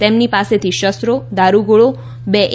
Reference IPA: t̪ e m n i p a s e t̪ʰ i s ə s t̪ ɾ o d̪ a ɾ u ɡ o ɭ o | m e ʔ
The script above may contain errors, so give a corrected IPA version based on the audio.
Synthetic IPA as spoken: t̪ e m n i p a s e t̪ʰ i ʃ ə s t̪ ɾ o d̪ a ɾ u ɡ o ɭ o | b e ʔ